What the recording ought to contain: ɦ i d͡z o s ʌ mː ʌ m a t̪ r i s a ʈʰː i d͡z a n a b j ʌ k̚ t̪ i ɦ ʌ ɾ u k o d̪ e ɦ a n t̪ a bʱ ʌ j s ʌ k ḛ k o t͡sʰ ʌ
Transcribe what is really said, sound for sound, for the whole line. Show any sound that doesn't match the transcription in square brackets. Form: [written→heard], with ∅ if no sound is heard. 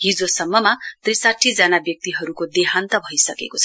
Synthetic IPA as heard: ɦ i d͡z o s ʌ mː ʌ m a t̪ r i s a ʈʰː i d͡z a n a b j ʌ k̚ t̪ i ɦ ʌ ɾ u k o d̪ e ɦ a n t̪ [a→ʌ] bʱ ʌ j s ʌ k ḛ k o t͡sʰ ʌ